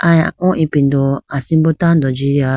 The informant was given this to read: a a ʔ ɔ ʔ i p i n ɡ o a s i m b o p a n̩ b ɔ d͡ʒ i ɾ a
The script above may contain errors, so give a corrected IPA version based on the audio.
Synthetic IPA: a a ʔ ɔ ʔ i p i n d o a s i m b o t a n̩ d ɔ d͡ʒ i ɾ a